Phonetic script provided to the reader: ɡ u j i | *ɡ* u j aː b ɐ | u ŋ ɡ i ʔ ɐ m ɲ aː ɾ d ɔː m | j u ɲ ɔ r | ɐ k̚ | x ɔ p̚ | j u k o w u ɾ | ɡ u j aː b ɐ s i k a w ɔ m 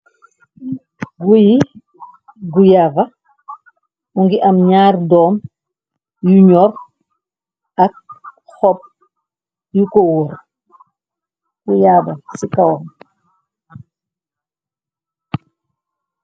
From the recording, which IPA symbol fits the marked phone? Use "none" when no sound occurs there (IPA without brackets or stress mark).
ɡ